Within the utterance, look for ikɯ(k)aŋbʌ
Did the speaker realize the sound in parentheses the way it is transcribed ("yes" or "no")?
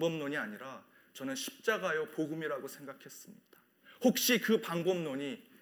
no